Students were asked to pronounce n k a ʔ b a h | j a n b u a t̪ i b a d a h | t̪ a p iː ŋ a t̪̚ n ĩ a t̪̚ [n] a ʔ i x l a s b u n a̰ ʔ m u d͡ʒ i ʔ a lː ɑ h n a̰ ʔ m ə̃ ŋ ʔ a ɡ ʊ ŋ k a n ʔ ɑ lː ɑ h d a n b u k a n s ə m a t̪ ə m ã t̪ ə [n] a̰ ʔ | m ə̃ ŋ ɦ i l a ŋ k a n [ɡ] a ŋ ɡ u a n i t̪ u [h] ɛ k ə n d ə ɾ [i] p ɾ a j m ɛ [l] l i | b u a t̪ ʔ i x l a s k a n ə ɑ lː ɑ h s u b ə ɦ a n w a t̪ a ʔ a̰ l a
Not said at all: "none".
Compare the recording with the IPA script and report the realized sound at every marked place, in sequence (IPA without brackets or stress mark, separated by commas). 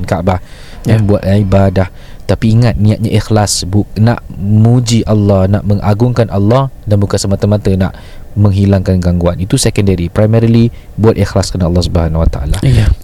ɲ, n, ɡ, s, i, ɾ